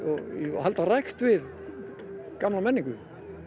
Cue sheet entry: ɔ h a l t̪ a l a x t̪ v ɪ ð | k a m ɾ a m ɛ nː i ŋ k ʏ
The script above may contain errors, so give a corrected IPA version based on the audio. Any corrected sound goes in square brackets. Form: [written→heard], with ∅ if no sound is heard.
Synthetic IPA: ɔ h a l t̪ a [l→r] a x t̪ v ɪ ð | k a m [ɾ→l] a m ɛ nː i ŋ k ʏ

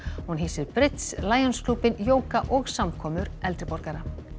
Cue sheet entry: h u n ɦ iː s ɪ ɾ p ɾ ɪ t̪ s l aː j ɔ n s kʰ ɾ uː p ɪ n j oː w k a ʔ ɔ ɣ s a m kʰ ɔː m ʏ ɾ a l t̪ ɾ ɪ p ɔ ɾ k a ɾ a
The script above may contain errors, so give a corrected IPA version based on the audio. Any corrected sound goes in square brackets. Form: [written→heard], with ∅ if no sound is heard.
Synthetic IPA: h u n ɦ iː s ɪ ɾ p ɾ ɪ t̪ s l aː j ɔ n s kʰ [ɾ→l] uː p ɪ n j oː w k a ʔ ɔ ɣ s a m kʰ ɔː m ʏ ɾ [a→ɛ] l t̪ ɾ ɪ p ɔ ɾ k a ɾ a

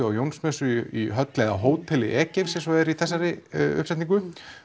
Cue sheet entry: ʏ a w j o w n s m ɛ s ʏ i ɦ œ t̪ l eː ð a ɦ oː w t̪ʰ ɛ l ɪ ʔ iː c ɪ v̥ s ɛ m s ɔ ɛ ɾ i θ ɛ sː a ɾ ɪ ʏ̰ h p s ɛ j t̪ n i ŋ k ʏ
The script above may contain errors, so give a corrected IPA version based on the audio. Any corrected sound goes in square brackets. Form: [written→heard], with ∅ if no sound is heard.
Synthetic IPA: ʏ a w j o w n s m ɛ s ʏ i ɦ œ t̪ l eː ð a ɦ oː w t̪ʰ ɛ l ɪ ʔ [iː→ɛː] c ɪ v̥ s ɛ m s ɔ ɛ ɾ i θ ɛ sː a ɾ ɪ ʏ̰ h p s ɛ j t̪ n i ŋ k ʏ

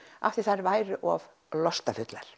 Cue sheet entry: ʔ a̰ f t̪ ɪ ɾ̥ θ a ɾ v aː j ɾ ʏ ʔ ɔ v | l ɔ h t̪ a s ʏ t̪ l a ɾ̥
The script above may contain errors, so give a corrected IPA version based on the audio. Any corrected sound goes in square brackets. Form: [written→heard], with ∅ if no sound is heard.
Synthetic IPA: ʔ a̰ f t̪ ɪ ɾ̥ θ a ɾ v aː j ɾ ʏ ʔ ɔ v | l ɔ [h→s] t̪ a [s→f] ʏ t̪ l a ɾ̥

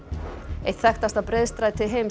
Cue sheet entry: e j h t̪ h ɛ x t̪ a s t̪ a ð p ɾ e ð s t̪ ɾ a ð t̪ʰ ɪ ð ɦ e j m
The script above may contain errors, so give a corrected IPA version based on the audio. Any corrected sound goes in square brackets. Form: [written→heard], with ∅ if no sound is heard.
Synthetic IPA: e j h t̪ [h→θ] ɛ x t̪ a s t̪ a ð p ɾ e ð s t̪ ɾ a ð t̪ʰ ɪ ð ɦ e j m

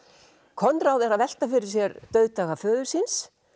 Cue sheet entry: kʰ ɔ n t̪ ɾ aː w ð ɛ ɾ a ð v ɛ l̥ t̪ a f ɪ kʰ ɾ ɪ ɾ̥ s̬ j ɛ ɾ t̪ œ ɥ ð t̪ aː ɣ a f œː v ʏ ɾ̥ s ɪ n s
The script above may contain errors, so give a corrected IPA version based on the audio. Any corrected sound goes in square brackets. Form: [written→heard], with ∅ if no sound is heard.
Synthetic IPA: kʰ ɔ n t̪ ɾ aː w ð ɛ ɾ a ð v ɛ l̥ t̪ a f ɪ [kʰ→∅] ɾ ɪ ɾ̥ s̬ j ɛ ɾ t̪ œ ɥ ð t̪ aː ɣ a f œː [v→ð] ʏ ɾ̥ s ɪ n s

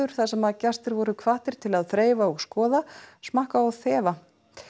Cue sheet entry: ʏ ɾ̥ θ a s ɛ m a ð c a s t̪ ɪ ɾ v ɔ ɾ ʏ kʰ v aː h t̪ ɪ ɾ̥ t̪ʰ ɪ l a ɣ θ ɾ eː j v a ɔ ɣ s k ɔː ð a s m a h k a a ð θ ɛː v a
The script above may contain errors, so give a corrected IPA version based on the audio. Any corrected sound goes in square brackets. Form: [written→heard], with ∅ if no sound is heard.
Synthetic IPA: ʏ ɾ̥ θ a s ɛ m a ð c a s t̪ ɪ ɾ v ɔ ɾ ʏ kʰ v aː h t̪ ɪ ɾ̥ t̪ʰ ɪ l a [ɣ→ð] θ ɾ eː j v a ɔ ɣ s k ɔː ð a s m a h k a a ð θ ɛː v a

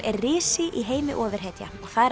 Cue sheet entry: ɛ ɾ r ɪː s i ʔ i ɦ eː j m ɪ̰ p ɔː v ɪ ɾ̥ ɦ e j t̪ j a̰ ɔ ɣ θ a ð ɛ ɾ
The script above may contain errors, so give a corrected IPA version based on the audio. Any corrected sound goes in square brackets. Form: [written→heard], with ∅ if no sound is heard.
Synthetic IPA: ɛ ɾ r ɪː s [i→ɪ] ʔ i ɦ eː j m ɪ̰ [p→ʔ] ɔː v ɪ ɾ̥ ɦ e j t̪ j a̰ ɔ ɣ θ a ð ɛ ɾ

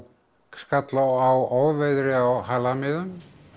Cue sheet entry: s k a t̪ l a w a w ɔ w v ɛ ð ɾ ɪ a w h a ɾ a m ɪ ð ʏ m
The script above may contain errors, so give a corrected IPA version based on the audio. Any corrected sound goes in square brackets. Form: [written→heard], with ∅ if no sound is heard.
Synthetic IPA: s k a t̪ l a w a w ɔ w v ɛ ð ɾ ɪ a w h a [ɾ→l] a m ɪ ð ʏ m

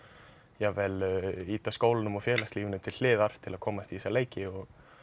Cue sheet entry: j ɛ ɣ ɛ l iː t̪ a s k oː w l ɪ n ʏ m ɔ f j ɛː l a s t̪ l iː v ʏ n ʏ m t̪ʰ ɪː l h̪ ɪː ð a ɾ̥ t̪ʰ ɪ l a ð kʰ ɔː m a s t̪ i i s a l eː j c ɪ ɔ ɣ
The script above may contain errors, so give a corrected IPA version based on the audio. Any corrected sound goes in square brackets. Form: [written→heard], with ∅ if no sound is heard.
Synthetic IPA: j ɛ [ɣ→v] ɛ l iː t̪ a s k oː w l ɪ n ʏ m ɔ f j ɛː l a s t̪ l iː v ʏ n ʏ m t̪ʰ [ɪː→ɪ] l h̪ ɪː ð a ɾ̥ t̪ʰ ɪ l a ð kʰ ɔː m a s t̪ i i s a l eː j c ɪ ɔ ɣ

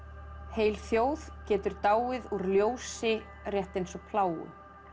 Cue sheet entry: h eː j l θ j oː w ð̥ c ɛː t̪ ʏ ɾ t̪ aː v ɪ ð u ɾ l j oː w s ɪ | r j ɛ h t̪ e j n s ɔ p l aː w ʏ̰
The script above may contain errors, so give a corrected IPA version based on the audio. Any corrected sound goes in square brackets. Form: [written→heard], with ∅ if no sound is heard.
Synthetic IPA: h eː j l θ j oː w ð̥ c ɛː t̪ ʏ ɾ t̪ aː [v→w] ɪ ð u ɾ l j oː w s ɪ | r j ɛ h t̪ e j n s ɔ [p→pʰ] l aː w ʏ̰

